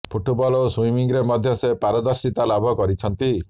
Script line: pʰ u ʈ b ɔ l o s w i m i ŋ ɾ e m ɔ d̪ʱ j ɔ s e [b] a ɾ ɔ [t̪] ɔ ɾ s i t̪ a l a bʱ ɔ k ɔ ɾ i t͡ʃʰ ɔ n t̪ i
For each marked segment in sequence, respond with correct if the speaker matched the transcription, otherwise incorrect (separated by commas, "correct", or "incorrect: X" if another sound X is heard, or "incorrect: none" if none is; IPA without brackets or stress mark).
incorrect: p, incorrect: d̪